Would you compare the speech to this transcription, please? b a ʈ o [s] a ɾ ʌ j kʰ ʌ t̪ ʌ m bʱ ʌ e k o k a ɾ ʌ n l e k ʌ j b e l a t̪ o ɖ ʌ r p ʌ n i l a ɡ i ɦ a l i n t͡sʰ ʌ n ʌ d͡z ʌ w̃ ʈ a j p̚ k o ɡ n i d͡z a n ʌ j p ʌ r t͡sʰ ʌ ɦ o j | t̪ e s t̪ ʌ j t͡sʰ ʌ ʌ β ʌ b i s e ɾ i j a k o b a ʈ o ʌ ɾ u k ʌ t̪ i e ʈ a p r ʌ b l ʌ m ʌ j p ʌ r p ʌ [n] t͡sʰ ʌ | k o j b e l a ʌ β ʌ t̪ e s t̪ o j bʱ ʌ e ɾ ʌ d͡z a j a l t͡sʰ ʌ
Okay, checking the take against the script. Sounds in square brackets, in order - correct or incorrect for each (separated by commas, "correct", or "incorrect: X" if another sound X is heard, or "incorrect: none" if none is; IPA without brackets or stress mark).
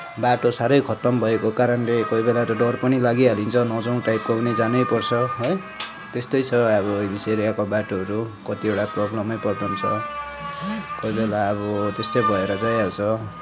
correct, correct